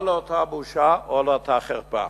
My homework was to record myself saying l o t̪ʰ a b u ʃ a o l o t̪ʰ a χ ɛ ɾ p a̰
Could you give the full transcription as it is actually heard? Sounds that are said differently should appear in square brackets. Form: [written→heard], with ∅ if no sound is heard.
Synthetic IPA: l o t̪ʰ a b u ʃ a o l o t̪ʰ a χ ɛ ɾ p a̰